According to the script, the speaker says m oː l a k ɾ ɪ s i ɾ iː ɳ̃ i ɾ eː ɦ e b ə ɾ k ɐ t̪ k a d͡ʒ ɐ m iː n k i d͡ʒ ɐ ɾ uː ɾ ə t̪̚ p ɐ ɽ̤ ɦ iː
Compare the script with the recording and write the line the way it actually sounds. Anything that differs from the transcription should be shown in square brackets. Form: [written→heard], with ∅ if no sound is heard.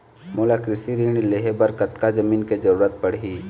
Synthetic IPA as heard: m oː l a k ɾ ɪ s i ɾ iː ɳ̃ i [ɾ→l] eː ɦ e b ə ɾ k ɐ t̪ k a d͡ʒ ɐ m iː n k [i→e] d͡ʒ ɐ ɾ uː ɾ ə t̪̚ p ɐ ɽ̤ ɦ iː